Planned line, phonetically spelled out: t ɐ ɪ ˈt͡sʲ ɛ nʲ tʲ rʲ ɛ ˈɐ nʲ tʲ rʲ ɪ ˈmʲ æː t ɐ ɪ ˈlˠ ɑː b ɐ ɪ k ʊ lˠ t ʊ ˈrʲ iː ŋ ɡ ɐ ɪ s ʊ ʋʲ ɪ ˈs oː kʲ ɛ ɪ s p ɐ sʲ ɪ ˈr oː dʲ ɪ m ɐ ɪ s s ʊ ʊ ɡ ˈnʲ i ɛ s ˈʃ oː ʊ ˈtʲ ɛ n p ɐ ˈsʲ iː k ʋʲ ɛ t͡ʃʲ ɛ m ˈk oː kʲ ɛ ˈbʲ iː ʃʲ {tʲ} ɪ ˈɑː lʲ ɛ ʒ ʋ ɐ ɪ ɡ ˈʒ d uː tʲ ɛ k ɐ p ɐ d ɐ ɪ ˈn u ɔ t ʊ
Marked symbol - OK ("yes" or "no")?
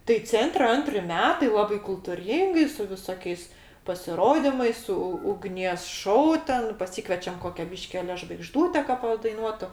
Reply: no